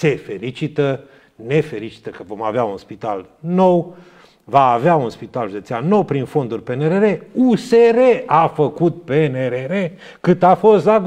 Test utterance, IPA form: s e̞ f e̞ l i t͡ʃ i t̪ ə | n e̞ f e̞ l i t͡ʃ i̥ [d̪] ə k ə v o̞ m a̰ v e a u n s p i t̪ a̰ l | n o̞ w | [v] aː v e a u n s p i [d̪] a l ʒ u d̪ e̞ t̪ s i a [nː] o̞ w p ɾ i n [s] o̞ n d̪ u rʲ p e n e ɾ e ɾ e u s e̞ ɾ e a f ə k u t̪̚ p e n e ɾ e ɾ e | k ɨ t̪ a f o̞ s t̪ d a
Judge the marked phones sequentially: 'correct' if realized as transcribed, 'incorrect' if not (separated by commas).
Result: incorrect, correct, incorrect, correct, incorrect